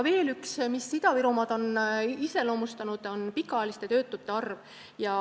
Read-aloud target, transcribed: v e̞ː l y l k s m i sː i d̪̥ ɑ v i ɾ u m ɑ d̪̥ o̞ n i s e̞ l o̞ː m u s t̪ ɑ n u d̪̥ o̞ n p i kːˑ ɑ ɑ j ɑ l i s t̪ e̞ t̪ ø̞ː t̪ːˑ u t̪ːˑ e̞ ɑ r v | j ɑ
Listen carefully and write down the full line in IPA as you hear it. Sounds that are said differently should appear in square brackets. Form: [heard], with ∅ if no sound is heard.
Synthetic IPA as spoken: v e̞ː l y [∅] k s m i sː i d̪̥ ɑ v i ɾ u m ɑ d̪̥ o̞ n i s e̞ l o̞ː m u s t̪ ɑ n u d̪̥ o̞ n p i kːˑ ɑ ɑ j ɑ l i s t̪ e̞ t̪ ø̞ː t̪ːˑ u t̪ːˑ e̞ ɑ r v | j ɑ